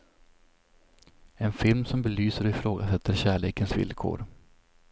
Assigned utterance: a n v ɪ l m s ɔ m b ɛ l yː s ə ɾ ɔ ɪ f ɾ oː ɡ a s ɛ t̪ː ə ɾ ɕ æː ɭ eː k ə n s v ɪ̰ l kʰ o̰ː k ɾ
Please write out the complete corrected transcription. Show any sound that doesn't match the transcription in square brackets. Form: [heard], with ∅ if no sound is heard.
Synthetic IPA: [ɛ] n [f] ɪ l m s ɔ m b ɛ l yː s ə ɾ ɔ ɪ f ɾ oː ɡ a s ɛ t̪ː ə ɾ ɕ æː ɭ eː k ə n s v ɪ̰ l kʰ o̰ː [∅] ɾ